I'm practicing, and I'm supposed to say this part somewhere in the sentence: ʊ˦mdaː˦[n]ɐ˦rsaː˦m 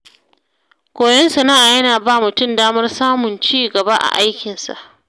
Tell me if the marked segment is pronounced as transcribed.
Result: no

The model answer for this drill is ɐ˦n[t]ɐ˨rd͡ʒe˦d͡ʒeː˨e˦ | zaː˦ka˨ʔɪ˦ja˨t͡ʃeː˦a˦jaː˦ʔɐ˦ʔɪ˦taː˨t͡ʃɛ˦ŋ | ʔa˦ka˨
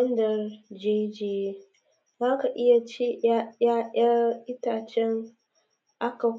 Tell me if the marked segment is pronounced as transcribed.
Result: no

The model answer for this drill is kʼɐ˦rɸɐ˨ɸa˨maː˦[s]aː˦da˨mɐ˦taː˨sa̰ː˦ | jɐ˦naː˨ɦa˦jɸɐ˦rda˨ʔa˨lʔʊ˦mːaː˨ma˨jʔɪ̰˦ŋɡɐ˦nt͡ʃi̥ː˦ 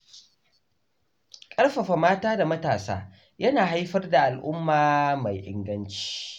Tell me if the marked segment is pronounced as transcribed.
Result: no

